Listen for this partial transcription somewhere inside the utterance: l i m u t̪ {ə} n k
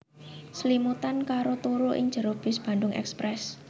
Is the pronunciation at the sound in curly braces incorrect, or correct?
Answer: incorrect